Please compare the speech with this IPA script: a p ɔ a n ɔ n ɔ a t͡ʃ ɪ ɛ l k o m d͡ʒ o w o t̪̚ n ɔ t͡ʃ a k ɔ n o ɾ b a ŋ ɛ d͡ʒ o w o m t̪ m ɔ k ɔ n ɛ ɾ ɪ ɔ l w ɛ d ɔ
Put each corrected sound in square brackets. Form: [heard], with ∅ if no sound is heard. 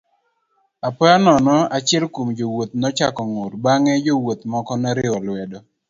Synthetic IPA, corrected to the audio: a p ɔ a n ɔ n ɔ a t͡ʃ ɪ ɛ l k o m d͡ʒ o w o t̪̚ n ɔ t͡ʃ a k ɔ [ŋ] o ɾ b a ŋ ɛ d͡ʒ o w o [∅] t̪ m ɔ k ɔ n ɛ ɾ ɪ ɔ l w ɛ d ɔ